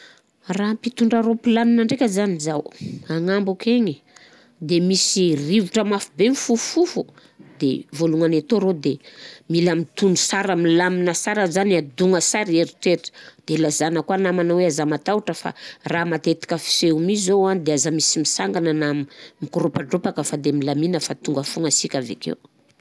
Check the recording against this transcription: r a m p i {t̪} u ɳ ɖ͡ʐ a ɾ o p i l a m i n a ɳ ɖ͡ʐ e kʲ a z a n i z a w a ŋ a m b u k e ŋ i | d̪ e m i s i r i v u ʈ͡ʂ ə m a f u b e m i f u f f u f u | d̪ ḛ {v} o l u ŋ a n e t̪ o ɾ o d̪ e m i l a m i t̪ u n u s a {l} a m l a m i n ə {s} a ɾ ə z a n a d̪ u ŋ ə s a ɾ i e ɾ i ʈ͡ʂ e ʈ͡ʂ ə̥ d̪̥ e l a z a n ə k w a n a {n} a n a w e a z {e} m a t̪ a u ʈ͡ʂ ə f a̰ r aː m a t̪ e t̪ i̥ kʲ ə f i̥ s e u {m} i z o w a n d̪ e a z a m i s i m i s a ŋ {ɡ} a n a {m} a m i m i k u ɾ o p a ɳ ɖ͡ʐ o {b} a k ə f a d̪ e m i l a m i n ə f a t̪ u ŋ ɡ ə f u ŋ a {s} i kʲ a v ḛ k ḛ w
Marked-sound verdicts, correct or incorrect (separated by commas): correct, correct, incorrect, correct, incorrect, incorrect, correct, correct, incorrect, incorrect, correct